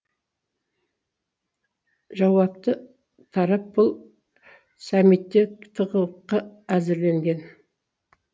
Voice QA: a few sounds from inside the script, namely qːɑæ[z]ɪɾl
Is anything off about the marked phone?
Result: no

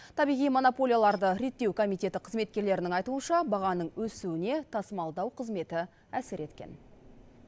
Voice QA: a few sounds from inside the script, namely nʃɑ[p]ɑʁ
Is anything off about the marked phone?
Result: yes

